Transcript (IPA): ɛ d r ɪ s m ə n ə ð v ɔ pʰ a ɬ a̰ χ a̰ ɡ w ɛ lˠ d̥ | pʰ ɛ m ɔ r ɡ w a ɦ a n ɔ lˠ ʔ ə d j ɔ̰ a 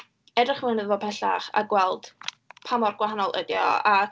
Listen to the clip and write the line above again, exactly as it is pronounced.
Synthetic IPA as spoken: ɛ d r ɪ χ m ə n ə ð v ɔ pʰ ɛ ɬ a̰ χ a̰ ɡ w ɛ lˠ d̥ | pʰ a m ɔ r ɡ w a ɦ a n ɔ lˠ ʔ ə d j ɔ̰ a